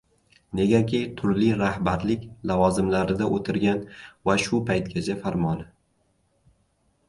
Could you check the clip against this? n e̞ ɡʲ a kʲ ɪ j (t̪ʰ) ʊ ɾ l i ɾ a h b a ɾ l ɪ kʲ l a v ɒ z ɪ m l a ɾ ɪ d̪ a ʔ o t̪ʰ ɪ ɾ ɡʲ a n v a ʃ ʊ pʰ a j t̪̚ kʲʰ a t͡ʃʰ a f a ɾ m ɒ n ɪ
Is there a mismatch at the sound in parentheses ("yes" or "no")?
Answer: no